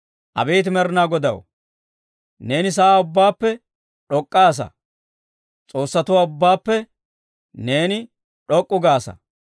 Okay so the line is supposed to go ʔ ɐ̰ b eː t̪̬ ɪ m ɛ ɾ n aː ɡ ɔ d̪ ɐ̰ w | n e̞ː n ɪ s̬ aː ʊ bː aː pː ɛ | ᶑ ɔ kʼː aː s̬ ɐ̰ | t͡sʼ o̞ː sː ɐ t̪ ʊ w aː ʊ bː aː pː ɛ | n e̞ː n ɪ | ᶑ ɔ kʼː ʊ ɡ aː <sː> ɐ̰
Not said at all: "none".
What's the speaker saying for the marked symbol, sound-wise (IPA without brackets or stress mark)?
s